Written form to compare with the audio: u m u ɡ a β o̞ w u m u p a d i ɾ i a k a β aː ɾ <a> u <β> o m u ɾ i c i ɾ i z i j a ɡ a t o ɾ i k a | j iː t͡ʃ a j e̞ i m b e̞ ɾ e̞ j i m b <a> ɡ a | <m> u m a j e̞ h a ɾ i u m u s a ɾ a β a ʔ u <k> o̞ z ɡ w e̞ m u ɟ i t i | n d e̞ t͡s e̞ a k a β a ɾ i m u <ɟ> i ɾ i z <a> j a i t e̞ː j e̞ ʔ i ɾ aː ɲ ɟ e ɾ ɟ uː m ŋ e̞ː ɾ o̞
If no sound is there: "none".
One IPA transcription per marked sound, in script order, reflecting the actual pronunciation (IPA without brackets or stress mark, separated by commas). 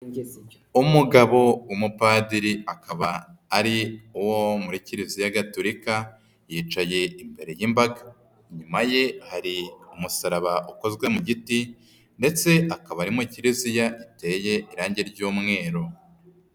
i, w, a, ɲ, k, c, i